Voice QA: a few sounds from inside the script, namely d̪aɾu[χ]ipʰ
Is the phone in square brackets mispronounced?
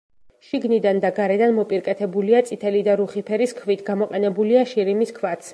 no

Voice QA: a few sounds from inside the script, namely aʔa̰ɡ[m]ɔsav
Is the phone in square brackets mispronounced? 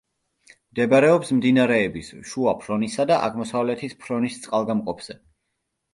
no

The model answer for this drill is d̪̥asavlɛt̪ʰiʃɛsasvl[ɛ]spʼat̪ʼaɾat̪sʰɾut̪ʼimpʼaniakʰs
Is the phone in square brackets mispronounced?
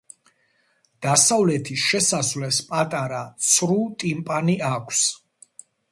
no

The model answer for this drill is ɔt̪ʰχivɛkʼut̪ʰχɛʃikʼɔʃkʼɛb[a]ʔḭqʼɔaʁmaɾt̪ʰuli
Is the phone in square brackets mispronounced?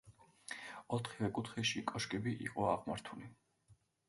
yes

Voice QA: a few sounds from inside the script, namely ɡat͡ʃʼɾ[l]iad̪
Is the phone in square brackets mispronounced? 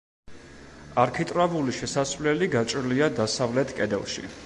no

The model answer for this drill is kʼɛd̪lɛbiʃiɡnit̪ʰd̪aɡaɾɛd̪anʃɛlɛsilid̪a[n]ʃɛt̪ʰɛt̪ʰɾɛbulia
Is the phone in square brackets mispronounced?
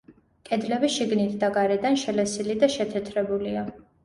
yes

